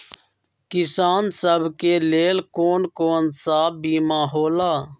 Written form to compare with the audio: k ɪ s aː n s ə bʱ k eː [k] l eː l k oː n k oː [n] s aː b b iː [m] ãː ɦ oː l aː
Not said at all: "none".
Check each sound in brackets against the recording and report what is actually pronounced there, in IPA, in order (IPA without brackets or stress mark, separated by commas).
none, n, m